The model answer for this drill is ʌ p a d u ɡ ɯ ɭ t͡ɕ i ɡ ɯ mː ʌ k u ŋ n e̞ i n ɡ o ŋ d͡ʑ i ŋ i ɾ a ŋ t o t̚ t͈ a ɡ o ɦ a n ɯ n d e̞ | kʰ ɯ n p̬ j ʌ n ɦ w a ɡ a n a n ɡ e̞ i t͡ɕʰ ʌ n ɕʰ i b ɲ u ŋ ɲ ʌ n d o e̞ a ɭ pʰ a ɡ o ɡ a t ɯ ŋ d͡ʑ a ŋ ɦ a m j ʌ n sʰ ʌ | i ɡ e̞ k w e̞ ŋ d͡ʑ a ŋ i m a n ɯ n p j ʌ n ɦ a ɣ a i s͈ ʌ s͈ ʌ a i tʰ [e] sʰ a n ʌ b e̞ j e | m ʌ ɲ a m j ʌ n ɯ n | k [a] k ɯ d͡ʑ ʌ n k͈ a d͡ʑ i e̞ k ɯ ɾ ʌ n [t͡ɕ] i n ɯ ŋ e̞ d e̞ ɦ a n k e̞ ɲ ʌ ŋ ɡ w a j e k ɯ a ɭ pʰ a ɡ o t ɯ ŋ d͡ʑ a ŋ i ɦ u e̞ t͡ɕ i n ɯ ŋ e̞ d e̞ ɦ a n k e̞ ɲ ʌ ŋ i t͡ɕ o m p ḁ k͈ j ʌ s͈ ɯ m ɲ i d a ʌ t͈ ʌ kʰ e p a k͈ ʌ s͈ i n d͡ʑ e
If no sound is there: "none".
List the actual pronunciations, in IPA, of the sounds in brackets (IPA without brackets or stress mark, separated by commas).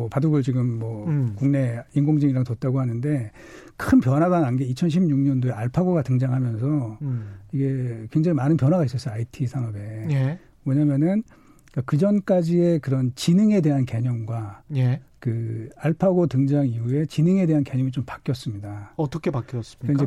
i, a, t͡ɕ